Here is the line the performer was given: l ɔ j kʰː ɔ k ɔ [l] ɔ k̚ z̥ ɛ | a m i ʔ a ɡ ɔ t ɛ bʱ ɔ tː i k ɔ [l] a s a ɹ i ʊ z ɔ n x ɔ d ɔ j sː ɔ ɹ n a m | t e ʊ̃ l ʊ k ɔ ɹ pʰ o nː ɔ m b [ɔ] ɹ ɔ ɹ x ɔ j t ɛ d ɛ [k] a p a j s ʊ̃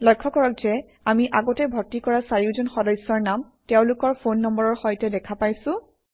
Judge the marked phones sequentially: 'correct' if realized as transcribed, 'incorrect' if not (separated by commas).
incorrect, incorrect, correct, incorrect